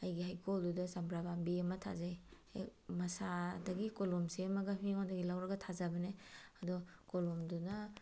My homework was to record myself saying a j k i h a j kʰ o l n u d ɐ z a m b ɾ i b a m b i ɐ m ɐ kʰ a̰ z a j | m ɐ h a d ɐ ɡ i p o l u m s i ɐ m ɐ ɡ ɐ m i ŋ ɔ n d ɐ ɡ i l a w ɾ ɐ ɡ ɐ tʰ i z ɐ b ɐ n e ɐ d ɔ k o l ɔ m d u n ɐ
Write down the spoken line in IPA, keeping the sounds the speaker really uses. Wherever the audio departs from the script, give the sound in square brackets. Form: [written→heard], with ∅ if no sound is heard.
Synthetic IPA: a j [k→ɡ] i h a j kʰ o l [n→d] u d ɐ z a m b ɾ [i→a] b a m b i ɐ m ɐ [kʰ→tʰ] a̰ z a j | m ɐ [h→s] a d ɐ ɡ i [p→k] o l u m s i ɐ m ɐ ɡ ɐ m i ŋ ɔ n d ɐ ɡ i l a w ɾ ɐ ɡ ɐ tʰ [i→a] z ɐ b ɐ n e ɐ d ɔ k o l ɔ m d u n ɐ